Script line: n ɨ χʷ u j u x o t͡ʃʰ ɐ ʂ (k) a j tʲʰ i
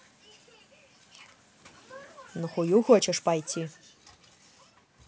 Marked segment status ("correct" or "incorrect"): incorrect